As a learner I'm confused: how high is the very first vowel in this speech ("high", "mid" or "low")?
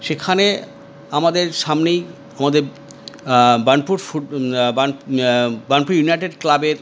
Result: mid